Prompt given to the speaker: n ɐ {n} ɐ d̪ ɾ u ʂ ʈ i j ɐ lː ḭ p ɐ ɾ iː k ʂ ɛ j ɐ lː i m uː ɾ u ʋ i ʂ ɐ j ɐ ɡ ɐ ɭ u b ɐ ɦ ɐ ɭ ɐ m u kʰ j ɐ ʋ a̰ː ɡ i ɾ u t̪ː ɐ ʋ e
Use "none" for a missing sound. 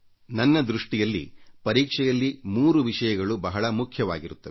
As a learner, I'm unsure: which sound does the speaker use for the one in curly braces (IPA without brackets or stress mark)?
nː